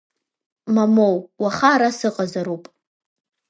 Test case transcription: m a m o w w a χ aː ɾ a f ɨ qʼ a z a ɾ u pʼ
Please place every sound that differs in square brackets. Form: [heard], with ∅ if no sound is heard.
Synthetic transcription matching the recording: m a m o w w a χ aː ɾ a [s] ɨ qʼ a z a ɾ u pʼ